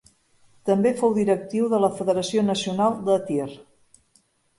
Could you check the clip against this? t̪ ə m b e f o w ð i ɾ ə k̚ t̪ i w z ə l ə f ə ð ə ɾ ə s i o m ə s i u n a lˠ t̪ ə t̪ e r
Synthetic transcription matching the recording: t̪ ə m b e f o w ð i ɾ ə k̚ t̪ i w ð ə l ə f ə ð ə ɾ ə s i o n ə s i u n a lˠ d̪ ə t̪ i r